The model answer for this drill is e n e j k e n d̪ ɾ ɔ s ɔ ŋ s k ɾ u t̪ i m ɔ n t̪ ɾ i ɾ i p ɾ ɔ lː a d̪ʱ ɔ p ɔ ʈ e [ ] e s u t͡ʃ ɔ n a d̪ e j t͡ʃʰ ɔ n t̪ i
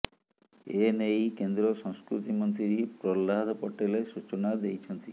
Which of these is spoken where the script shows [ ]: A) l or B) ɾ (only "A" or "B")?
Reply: A